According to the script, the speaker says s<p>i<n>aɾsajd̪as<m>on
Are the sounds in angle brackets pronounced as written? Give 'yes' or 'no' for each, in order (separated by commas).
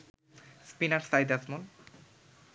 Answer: yes, yes, yes